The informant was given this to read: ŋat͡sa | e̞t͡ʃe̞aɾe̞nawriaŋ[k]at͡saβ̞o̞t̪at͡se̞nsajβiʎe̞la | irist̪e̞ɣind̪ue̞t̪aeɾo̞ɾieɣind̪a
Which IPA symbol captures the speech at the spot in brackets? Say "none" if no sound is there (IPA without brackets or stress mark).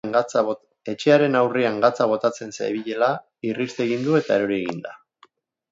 ɡ